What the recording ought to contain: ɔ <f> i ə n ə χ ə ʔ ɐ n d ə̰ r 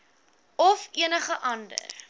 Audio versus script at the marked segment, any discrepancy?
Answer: no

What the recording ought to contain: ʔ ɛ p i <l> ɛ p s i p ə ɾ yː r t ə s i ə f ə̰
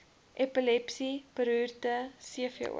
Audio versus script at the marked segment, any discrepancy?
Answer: no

